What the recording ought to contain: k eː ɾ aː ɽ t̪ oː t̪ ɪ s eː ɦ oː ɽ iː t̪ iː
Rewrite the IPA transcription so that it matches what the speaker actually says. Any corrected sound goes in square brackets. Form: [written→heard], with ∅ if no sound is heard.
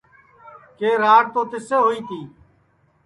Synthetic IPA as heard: k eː ɾ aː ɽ t̪ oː t̪ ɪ s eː ɦ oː [ɽ→∅] iː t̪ iː